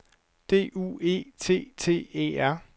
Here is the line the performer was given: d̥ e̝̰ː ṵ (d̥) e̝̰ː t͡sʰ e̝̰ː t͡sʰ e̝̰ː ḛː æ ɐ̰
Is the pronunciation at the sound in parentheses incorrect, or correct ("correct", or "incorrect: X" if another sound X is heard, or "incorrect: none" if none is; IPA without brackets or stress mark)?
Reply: incorrect: none